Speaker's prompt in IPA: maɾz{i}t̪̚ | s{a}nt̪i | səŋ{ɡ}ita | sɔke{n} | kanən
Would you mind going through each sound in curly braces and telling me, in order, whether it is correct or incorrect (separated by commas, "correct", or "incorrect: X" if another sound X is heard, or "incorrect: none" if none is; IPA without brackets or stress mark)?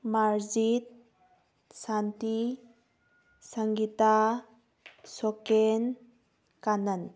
correct, correct, correct, correct